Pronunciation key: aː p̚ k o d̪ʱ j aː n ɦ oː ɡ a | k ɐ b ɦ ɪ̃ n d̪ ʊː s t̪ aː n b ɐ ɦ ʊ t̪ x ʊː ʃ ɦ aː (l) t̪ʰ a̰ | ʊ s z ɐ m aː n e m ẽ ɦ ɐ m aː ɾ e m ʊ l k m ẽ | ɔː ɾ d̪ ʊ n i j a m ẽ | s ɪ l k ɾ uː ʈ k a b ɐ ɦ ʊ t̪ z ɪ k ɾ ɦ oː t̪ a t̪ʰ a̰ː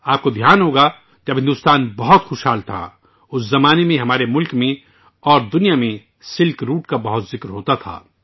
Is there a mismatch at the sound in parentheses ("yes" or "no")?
no